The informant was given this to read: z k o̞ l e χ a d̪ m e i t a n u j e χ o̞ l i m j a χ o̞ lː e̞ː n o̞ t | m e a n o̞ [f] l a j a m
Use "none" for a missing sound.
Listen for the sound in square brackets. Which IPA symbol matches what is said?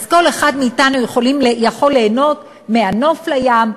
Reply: f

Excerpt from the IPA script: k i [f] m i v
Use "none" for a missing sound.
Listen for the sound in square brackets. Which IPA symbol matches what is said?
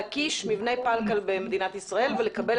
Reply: ʃ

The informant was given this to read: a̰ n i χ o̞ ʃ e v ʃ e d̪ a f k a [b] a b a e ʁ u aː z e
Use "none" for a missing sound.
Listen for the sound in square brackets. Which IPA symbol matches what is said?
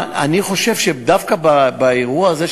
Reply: b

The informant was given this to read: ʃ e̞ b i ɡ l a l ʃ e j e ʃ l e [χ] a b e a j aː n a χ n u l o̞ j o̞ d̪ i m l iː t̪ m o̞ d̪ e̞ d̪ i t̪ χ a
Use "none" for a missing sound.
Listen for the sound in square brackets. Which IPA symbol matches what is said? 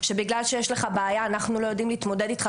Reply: χ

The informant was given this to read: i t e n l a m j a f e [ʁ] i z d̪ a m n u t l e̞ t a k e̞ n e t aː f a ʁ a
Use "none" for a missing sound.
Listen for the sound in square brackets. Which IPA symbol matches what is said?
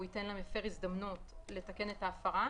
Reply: ʁ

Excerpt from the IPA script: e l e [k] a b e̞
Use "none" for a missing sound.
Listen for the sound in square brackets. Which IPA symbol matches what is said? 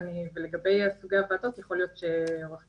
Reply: ɡ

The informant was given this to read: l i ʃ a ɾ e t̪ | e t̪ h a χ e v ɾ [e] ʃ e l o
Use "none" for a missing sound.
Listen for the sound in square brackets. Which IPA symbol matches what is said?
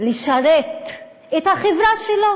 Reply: a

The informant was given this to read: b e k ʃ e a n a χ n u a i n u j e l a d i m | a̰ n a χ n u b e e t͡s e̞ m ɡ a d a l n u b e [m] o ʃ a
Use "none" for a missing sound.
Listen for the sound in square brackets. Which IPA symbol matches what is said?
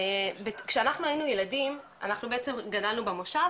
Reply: m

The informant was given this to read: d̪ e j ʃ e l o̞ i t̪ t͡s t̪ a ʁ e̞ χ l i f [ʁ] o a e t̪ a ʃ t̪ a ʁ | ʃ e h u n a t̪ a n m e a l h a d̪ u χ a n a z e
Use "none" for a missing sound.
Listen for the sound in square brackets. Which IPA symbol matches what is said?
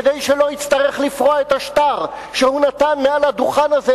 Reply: ʁ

